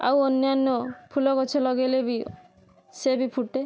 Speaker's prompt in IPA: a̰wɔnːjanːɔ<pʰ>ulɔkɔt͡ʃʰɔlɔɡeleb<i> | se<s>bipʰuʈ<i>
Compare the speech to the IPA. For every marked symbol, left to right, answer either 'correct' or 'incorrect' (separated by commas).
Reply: correct, correct, incorrect, incorrect